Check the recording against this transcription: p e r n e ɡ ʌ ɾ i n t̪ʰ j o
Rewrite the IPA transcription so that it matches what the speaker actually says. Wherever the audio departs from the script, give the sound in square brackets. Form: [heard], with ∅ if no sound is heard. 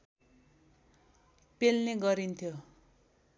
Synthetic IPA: p e [l] n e ɡ ʌ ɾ i n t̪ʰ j o